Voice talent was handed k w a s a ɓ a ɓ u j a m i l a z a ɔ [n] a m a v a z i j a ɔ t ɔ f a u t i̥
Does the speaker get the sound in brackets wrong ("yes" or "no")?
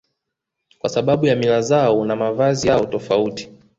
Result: no